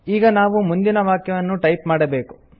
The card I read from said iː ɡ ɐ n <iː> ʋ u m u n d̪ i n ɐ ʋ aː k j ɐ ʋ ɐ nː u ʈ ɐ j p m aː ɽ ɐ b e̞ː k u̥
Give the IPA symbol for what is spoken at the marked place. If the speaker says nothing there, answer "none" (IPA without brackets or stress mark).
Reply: aː